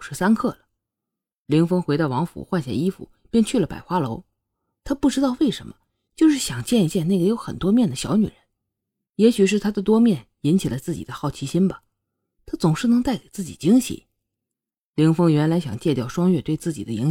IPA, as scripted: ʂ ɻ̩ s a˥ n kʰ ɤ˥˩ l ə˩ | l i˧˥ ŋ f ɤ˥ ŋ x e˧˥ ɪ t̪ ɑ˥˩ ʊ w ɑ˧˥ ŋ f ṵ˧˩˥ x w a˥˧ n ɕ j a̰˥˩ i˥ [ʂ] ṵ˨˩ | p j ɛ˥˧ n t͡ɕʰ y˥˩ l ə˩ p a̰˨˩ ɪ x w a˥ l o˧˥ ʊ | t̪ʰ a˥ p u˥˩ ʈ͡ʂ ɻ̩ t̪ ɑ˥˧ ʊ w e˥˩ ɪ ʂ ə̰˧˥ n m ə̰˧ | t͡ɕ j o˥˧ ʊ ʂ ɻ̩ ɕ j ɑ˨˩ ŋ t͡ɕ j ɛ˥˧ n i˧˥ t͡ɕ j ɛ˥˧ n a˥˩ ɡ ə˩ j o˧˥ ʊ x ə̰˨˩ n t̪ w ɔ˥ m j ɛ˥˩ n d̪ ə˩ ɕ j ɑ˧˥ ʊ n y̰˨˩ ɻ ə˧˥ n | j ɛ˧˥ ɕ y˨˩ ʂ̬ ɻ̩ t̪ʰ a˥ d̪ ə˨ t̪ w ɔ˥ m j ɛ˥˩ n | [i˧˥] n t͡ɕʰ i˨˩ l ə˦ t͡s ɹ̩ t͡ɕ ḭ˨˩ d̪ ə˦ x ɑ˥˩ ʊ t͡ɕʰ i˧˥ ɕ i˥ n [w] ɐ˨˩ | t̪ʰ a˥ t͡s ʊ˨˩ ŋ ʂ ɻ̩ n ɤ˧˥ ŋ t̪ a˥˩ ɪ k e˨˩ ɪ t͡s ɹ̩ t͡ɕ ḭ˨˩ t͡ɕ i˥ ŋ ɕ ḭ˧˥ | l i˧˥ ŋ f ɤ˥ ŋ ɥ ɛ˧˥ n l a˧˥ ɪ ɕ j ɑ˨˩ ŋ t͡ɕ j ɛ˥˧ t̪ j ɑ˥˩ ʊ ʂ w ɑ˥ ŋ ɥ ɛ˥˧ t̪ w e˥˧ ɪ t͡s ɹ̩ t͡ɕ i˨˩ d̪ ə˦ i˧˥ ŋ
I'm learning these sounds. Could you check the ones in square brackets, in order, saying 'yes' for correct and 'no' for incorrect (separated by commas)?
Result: no, yes, no